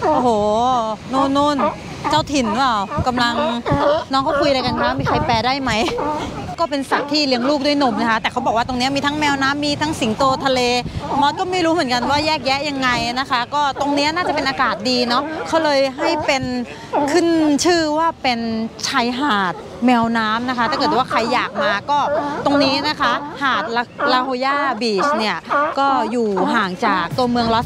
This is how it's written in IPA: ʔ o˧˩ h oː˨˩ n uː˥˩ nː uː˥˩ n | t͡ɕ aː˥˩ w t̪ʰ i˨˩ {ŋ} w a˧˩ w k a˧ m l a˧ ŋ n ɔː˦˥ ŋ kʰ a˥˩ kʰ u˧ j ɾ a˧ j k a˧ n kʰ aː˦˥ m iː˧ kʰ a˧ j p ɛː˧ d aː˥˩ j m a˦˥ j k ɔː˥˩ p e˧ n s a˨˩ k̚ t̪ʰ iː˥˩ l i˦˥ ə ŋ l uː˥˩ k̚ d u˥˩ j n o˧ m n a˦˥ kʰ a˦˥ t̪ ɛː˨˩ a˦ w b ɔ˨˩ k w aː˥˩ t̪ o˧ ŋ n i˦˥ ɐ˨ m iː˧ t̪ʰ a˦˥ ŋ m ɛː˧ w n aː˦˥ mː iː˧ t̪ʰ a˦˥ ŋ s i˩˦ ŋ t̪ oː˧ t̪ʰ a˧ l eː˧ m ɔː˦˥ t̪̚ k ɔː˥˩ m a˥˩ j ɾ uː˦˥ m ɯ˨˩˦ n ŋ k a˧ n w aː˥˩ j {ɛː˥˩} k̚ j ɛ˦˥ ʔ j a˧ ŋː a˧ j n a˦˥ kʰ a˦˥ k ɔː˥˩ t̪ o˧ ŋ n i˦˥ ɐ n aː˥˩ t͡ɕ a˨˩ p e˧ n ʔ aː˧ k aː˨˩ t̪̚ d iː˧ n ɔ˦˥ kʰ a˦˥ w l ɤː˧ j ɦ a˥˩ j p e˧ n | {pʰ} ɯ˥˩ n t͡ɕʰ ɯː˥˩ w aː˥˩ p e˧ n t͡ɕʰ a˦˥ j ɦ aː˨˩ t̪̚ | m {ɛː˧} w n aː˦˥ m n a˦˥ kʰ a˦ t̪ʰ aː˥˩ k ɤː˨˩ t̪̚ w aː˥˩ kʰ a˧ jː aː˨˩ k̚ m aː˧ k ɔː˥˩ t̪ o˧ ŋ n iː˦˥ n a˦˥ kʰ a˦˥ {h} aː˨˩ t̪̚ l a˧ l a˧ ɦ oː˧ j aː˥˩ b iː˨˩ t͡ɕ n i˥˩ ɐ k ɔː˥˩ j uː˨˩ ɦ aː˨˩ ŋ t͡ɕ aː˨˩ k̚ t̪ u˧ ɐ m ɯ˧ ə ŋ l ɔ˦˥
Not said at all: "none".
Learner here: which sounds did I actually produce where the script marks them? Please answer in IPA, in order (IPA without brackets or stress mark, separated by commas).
n, ɛː˥˩, kʰ, ɛː˧, h